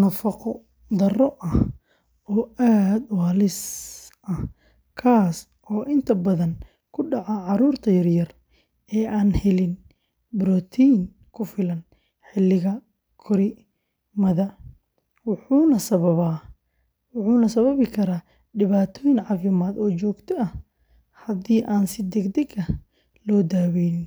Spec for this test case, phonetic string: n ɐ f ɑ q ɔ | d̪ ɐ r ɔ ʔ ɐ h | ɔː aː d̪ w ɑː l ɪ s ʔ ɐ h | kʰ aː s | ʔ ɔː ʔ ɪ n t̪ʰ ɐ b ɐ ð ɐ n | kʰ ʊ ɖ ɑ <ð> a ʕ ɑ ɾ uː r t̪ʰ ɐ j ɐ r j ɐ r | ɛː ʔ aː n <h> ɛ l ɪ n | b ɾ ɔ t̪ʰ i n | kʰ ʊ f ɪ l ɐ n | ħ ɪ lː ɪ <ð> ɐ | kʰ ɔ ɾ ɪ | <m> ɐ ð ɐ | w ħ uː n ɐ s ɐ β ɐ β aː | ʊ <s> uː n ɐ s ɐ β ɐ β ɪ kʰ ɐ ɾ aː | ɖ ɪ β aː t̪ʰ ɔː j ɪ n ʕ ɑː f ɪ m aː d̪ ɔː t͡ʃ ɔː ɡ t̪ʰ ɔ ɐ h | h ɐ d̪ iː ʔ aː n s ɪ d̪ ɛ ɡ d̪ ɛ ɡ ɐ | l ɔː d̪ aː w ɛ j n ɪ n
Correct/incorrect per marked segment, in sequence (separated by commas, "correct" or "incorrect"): incorrect, correct, incorrect, correct, incorrect